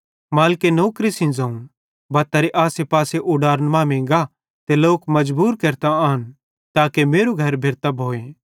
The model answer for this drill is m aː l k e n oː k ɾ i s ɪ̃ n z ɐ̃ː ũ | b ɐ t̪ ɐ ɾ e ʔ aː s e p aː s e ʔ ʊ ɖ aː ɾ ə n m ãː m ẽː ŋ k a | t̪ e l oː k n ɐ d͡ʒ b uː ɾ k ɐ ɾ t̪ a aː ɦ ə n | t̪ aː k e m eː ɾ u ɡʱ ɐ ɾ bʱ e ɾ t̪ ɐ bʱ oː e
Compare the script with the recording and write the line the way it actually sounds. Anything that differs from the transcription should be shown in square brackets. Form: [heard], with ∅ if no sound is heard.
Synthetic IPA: m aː l k e n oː k ɾ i s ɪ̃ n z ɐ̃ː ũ | b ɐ t̪ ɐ ɾ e ʔ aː s e p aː s e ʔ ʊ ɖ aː ɾ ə n m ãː m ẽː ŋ [ɡ] a | t̪ e l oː k [m] ɐ d͡ʒ b uː ɾ k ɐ ɾ t̪ a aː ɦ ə n | t̪ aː k e m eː ɾ u ɡʱ ɐ ɾ bʱ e ɾ t̪ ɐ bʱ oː e

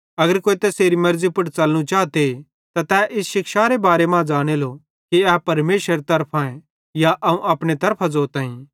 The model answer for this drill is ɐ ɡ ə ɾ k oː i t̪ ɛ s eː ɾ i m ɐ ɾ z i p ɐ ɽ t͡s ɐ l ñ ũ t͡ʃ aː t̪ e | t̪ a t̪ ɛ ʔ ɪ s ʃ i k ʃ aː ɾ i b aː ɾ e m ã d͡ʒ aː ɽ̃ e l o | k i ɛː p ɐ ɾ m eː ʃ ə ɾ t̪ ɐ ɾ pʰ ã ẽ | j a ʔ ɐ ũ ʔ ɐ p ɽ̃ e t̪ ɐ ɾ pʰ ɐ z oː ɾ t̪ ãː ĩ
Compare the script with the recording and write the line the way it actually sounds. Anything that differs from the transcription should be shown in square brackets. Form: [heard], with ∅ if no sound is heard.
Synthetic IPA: ɐ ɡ ə ɾ k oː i t̪ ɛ s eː ɾ i m ɐ ɾ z i p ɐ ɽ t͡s ɐ l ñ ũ t͡ʃ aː t̪ e | t̪ a t̪ ɛ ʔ ɪ s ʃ [ɪ] k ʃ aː ɾ [e] b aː ɾ e m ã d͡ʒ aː ɽ̃ e l o | k i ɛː p ɐ ɾ m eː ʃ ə ɾ t̪ ɐ ɾ pʰ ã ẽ | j a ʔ ɐ ũ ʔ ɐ p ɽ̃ e t̪ ɐ ɾ pʰ [a] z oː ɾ t̪ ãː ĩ

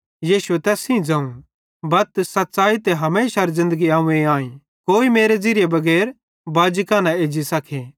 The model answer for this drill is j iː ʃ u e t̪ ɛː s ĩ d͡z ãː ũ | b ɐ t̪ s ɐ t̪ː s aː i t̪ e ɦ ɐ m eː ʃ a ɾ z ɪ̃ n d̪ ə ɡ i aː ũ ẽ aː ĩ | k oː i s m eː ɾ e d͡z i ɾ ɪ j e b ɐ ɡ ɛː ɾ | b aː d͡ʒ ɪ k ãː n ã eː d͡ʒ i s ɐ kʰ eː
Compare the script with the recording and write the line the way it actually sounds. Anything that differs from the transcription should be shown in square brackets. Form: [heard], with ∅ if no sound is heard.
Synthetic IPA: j iː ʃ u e t̪ ɛː s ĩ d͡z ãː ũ | b ɐ t̪ s ɐ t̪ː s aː i t̪ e ɦ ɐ m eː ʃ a ɾ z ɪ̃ n d̪ ə ɡ i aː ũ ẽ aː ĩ | k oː i [∅] m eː ɾ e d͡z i ɾ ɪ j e b ɐ ɡ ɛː ɾ | b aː d͡ʒ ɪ k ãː n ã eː d͡ʒ i s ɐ kʰ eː

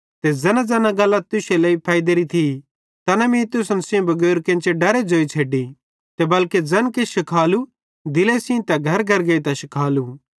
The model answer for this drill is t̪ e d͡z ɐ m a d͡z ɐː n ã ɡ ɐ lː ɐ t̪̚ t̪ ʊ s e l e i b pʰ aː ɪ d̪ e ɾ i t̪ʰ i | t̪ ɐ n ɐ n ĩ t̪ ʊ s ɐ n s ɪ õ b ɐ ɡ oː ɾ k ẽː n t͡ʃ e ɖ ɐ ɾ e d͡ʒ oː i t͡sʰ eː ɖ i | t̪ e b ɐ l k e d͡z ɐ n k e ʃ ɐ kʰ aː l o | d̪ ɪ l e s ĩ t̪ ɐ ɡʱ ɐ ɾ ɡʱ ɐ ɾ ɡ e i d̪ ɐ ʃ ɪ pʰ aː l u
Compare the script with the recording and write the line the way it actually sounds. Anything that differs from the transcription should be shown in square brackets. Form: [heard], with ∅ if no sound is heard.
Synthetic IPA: t̪ e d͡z ɐ [n] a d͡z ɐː n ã ɡ ɐ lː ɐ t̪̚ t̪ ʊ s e l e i [∅] pʰ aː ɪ d̪ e ɾ i t̪ʰ i | t̪ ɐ n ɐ [m] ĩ t̪ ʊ s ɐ n s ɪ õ b ɐ ɡ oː ɾ k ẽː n t͡ʃ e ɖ ɐ ɾ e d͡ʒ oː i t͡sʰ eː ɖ i | t̪ e b ɐ l k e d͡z ɐ n k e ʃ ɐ kʰ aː l [u] | d̪ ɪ l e s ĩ t̪ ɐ ɡʱ ɐ ɾ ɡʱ ɐ ɾ ɡ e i [t̪] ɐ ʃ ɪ [kʰ] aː l u

